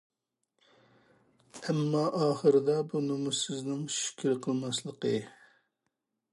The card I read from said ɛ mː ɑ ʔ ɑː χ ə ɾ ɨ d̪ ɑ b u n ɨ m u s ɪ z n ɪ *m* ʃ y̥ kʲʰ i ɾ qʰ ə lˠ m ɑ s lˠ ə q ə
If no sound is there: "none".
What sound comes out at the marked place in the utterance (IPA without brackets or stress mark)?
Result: ŋ